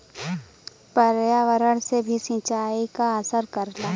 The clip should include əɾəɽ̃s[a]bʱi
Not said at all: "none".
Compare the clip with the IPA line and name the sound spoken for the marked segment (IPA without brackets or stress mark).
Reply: e